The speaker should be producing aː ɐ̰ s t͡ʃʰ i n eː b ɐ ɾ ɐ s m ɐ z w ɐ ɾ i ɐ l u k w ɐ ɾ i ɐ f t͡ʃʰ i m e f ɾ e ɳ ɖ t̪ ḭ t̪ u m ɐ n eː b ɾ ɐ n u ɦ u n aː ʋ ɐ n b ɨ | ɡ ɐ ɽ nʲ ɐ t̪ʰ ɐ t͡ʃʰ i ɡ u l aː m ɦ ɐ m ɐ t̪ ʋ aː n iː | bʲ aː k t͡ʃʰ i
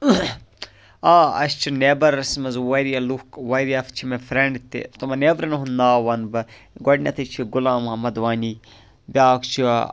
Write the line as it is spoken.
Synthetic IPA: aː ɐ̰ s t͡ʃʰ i n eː b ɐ ɾ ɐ s m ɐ z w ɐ ɾ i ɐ l u k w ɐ ɾ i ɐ f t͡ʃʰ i m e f ɾ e ɳ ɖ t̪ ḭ t̪ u m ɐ n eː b ɾ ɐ n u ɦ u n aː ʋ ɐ n b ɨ | ɡ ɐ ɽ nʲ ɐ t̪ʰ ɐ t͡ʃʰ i ɡ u l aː m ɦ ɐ m ɐ d̪ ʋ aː n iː | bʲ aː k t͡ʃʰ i